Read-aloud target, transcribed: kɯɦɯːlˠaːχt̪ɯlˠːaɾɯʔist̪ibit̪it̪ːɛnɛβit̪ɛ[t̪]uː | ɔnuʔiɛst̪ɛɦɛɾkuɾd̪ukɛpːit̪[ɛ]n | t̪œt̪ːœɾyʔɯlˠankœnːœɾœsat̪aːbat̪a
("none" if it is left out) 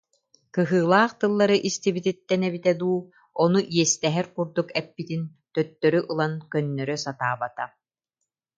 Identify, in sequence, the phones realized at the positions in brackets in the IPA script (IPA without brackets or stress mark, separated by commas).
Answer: d̪, i